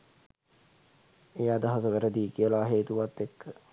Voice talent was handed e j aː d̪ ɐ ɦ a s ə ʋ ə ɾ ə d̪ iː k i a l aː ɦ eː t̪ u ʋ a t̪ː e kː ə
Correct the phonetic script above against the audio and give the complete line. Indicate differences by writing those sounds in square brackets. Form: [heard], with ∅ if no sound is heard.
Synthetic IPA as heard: e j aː d̪ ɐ ɦ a s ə ʋ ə ɾ ə d̪ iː k i [ə] l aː ɦ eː t̪ u ʋ a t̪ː e kː ə